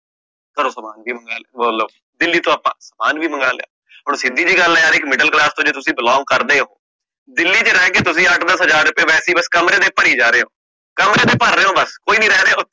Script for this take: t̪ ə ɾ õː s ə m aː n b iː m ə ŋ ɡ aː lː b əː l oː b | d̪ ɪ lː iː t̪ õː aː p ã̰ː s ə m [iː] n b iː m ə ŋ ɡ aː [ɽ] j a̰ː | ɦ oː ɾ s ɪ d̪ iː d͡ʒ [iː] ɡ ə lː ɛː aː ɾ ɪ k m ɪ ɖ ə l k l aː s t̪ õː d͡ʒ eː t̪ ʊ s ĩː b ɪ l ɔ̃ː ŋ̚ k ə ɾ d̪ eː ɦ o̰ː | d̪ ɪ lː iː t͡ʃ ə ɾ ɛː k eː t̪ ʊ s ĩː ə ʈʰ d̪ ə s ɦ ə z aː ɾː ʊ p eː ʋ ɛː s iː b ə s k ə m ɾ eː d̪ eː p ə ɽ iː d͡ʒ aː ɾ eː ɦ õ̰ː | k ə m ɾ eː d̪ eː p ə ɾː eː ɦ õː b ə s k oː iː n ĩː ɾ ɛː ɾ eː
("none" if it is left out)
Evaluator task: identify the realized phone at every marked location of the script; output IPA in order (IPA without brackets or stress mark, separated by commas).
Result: aː, l, iː